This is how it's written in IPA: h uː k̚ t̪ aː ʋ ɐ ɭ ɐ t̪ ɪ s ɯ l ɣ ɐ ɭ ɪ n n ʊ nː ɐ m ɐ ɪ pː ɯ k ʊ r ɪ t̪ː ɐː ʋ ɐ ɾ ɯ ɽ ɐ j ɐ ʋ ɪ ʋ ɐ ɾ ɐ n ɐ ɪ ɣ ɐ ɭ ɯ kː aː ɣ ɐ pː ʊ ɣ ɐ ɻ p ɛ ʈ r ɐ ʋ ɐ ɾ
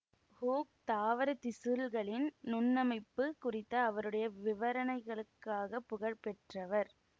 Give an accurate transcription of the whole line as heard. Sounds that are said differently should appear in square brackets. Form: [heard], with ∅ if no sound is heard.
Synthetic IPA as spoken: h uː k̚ t̪ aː ʋ ɐ [ɾ] ɐ t̪ ɪ s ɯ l ɣ ɐ ɭ ɪ n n ʊ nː ɐ m ɐ ɪ pː ɯ k ʊ r ɪ t̪ː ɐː ʋ ɐ ɾ ɯ ɽ ɐ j ɐ ʋ ɪ ʋ ɐ ɾ ɐ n ɐ ɪ ɣ ɐ ɭ ɯ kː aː ɣ ɐ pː ʊ ɣ ɐ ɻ p ɛ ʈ r ɐ ʋ ɐ ɾ